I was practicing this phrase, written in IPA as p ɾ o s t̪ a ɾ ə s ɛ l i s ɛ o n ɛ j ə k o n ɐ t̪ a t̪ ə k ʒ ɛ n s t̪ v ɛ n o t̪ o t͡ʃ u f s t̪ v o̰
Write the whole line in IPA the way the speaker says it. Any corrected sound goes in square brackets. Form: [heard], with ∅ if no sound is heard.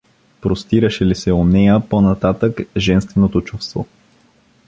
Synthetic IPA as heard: p ɾ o s t̪ [i] ɾ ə [ʃ] ɛ l i s ɛ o n ɛ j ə [p] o n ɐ t̪ a t̪ ə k ʒ ɛ n s t̪ v ɛ n o t̪ o t͡ʃ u f s t̪ v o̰